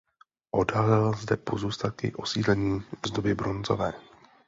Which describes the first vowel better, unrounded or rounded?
rounded